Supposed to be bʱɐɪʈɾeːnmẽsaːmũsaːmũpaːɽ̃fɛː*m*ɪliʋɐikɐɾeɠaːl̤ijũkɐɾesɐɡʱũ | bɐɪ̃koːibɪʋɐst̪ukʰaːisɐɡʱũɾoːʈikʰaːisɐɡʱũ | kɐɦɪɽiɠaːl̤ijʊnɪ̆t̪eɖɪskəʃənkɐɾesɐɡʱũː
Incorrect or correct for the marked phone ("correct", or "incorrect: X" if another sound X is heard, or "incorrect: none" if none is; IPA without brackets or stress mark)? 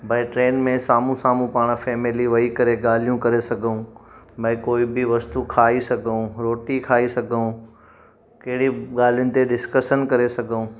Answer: correct